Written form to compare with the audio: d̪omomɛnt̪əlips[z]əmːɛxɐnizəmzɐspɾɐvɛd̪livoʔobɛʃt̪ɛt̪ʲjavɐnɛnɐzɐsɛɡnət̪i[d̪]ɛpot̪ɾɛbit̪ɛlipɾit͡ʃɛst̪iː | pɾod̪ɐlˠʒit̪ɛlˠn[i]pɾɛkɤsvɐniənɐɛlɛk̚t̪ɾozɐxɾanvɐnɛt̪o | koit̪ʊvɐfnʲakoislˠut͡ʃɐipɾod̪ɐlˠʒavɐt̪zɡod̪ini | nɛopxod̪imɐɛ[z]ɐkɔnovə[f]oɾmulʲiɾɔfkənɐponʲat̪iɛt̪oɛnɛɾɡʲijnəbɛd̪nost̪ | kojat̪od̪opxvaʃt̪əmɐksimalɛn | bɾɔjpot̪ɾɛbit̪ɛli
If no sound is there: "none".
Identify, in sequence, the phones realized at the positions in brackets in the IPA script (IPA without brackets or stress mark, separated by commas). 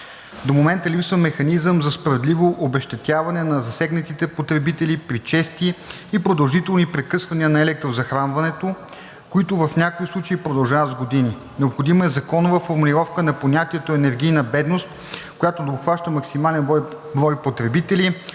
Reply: v, t̪, i, z, f